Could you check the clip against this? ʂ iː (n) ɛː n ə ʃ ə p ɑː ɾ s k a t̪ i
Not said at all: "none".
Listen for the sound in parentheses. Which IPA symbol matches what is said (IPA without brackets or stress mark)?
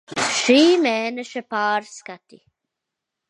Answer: m